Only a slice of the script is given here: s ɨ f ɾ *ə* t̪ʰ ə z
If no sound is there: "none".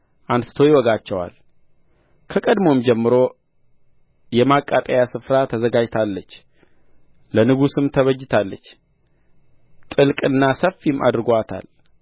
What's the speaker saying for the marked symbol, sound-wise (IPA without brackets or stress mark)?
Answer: a